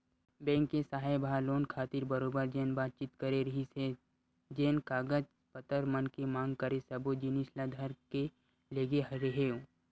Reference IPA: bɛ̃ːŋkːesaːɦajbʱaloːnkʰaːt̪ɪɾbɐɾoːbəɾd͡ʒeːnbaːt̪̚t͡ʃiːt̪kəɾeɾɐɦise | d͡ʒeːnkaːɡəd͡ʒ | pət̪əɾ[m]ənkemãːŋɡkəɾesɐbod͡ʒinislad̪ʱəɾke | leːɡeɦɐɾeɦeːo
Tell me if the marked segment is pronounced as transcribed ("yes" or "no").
yes